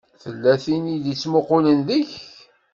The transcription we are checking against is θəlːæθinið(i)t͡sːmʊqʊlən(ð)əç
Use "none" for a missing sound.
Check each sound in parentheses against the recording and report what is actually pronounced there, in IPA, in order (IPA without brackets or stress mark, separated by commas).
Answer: i, ð